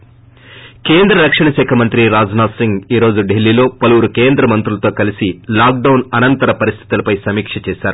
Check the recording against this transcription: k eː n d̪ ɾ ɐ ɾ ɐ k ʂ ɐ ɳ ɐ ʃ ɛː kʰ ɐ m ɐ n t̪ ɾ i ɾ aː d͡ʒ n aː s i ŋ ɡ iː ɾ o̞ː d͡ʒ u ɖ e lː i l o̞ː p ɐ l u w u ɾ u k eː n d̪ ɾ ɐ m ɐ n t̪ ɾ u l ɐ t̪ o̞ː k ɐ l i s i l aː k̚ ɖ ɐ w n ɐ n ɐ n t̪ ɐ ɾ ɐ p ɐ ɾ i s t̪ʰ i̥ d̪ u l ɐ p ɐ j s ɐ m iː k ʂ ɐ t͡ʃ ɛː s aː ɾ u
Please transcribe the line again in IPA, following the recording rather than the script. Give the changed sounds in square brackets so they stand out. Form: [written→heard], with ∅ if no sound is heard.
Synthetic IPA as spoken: k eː n d̪ ɾ ɐ ɾ ɐ k ʂ ɐ ɳ ɐ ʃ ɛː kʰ ɐ m ɐ n t̪ ɾ i ɾ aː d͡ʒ n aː s i ŋ ɡ iː ɾ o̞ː d͡ʒ u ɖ e lː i l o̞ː p ɐ l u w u ɾ u k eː n d̪ ɾ ɐ m ɐ n t̪ ɾ u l ɐ t̪ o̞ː k ɐ l i s i l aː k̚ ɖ ɐ w n ɐ n ɐ n t̪ ɐ ɾ ɐ p ɐ ɾ i s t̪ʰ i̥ [d̪→t̪] u l ɐ p ɐ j s ɐ m iː k ʂ ɐ t͡ʃ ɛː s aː ɾ u